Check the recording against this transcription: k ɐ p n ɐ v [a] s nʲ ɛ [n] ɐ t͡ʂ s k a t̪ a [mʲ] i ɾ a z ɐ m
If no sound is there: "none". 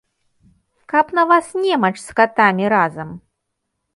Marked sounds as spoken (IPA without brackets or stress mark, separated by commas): a, m, mʲ